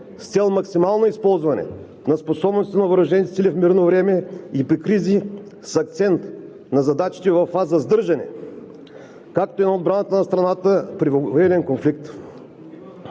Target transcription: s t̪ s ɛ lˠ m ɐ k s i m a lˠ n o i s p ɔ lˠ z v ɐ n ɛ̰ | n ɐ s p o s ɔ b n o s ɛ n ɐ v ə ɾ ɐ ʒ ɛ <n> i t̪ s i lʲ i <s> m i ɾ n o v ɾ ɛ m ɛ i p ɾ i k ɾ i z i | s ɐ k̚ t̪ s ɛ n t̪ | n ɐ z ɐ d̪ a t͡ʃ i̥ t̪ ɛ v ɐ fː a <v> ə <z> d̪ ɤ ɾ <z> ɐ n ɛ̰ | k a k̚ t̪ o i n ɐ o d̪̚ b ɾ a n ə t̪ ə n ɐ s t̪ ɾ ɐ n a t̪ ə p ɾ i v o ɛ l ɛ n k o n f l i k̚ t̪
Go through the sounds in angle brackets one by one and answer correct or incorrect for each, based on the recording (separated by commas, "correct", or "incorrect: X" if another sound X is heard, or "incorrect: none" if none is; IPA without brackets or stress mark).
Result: correct, incorrect: f, incorrect: z, correct, incorrect: ʒ